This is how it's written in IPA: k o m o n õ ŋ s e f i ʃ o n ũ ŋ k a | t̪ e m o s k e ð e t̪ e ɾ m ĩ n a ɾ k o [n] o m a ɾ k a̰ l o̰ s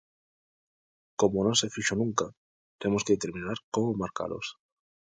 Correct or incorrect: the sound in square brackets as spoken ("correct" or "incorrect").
incorrect